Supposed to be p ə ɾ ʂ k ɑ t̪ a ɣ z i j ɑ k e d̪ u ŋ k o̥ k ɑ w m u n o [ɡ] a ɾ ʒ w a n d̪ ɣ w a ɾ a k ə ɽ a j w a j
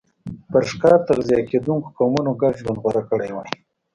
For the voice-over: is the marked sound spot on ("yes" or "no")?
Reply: yes